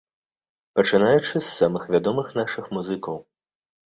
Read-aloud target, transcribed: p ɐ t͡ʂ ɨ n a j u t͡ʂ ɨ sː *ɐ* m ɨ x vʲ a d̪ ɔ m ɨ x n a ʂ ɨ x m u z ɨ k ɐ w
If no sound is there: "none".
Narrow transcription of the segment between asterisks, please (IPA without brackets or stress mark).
a